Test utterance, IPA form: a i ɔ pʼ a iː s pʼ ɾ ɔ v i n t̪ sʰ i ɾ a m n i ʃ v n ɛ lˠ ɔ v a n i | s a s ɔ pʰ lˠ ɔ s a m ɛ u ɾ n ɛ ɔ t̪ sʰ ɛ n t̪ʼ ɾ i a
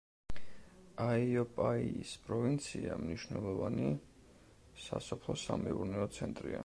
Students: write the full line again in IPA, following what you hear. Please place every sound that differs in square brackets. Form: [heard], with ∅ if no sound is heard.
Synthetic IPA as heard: a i ɔ pʼ a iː s pʼ ɾ ɔ v i n t̪ sʰ i [∅] a m n i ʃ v n ɛ lˠ ɔ v a n i | s a s ɔ pʰ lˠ ɔ s a m ɛ u ɾ n ɛ ɔ t̪ sʰ ɛ n t̪ʼ ɾ i a